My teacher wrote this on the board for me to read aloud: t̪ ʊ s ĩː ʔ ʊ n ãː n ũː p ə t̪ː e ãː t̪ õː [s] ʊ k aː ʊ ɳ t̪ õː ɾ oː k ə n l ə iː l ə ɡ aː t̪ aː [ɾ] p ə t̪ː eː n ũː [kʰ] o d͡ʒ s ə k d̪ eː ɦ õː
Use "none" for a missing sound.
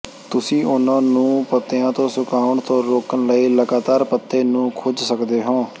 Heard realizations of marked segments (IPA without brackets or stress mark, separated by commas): s, ɾ, kʰ